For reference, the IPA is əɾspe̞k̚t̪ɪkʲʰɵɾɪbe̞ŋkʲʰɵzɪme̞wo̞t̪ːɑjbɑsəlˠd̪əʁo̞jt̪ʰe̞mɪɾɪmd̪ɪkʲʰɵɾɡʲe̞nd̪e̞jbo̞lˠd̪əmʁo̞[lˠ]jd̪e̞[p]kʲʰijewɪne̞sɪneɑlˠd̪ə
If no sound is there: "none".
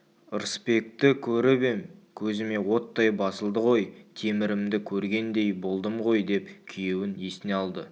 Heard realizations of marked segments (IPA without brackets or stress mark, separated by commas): none, p